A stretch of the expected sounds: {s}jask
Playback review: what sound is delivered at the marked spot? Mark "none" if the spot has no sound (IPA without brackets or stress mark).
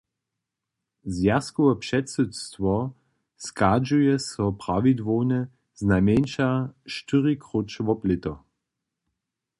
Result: z